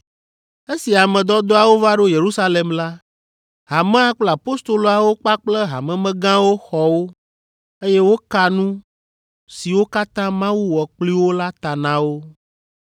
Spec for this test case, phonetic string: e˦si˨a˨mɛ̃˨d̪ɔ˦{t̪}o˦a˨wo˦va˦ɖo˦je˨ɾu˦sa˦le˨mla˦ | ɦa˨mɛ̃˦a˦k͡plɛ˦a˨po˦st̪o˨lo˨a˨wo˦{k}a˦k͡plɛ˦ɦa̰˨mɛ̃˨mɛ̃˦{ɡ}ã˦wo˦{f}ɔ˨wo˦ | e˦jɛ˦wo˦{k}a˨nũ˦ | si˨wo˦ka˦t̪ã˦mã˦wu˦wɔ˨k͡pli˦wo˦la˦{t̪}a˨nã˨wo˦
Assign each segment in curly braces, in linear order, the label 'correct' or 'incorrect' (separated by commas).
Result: incorrect, incorrect, correct, incorrect, correct, correct